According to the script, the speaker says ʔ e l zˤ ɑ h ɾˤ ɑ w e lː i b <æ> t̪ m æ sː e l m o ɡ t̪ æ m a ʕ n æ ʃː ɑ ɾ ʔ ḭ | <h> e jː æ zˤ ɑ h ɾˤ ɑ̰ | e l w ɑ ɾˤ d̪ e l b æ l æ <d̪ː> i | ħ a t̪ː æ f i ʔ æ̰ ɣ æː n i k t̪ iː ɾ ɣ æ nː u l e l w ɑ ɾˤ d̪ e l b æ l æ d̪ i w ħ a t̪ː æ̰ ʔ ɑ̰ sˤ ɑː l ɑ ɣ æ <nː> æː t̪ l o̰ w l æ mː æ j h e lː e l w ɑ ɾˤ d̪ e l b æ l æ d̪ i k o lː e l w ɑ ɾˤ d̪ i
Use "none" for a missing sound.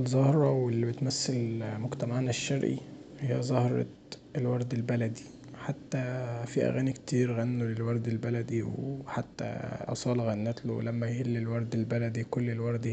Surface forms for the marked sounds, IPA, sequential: e, h, d̪, nː

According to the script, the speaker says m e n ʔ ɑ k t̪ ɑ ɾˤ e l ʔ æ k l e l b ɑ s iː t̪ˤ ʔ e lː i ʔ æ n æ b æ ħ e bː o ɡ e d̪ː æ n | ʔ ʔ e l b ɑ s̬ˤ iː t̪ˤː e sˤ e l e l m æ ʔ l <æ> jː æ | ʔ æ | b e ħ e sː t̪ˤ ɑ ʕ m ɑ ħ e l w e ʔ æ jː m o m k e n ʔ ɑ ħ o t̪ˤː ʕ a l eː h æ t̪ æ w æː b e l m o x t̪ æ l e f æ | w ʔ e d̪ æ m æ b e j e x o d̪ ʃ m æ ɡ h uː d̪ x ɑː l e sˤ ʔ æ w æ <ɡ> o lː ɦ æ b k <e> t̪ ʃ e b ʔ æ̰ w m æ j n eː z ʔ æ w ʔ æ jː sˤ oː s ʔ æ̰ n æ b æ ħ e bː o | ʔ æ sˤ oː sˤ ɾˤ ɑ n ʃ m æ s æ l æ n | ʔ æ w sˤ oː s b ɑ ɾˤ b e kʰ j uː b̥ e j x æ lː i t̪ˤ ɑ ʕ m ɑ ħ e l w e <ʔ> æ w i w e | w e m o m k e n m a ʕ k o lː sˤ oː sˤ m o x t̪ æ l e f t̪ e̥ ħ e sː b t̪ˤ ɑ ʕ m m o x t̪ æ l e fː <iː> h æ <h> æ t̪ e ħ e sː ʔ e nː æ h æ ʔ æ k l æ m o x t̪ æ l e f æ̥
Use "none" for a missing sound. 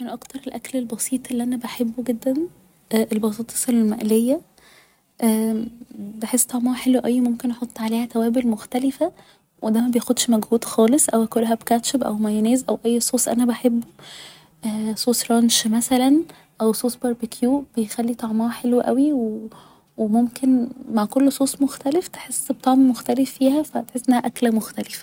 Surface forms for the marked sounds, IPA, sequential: e, k, æ, ʔ, iː, f

